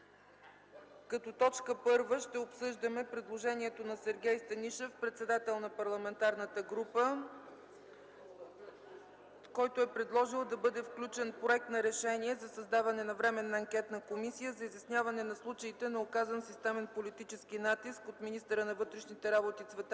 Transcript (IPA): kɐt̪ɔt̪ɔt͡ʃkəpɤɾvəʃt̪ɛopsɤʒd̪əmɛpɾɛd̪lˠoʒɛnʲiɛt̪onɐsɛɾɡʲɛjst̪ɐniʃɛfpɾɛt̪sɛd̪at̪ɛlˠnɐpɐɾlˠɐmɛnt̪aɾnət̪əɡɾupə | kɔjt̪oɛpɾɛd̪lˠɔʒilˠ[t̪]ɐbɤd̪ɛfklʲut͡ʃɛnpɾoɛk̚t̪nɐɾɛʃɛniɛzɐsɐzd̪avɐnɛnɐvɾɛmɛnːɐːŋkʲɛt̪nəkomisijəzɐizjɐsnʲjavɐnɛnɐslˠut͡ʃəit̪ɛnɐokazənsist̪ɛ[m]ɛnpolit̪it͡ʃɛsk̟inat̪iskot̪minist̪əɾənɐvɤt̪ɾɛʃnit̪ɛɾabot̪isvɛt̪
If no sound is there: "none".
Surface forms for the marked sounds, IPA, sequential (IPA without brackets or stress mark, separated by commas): d̪, m